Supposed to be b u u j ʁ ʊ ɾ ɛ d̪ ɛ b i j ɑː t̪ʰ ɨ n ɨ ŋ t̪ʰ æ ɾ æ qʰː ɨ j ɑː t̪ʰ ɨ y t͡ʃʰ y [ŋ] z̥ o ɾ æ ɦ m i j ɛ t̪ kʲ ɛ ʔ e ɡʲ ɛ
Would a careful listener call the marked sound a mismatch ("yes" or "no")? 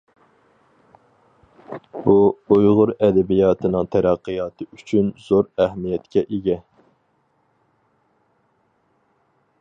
yes